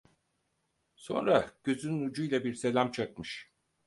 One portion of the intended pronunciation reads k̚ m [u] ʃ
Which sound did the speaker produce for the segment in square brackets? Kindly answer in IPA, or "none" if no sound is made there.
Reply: ɯ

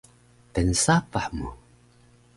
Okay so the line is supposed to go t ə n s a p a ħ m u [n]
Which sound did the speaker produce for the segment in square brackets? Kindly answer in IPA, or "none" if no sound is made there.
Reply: none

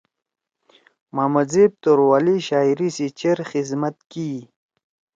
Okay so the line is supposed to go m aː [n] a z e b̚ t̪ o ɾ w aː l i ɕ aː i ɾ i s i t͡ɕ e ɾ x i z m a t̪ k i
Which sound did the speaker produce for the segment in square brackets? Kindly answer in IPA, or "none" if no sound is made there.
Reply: m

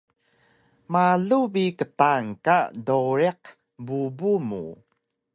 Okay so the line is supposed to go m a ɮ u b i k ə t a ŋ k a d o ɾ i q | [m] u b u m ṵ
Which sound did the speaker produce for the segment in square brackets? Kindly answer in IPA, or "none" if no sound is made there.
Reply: b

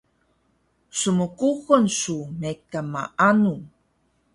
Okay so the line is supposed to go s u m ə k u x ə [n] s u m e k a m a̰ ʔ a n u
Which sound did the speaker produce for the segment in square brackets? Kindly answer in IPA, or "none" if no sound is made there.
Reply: n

